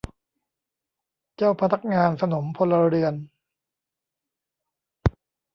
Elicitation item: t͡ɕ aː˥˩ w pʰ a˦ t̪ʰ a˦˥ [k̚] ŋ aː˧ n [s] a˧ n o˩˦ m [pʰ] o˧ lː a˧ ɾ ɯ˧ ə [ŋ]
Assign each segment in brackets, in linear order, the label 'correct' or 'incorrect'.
correct, correct, correct, incorrect

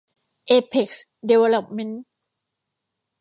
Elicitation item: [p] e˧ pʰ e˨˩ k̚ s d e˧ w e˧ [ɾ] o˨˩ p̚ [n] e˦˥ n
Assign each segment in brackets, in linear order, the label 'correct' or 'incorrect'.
incorrect, incorrect, incorrect

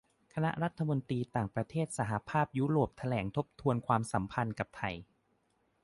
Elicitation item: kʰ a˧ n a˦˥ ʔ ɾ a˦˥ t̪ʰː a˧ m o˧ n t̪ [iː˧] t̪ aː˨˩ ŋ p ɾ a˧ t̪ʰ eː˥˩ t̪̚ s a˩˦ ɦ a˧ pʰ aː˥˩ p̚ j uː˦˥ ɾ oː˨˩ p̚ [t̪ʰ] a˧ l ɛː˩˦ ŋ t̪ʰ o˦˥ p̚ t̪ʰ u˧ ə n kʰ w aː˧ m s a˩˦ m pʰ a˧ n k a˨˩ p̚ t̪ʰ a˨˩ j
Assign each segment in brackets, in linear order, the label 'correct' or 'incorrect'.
correct, correct

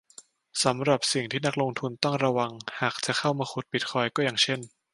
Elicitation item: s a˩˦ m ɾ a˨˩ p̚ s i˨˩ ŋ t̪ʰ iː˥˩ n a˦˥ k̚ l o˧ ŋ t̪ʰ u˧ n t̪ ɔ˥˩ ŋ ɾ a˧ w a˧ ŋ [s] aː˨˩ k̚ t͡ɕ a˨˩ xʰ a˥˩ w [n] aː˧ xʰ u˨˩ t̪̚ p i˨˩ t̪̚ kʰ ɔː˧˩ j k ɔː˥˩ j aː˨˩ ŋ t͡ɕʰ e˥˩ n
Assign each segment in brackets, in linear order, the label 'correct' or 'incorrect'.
incorrect, incorrect

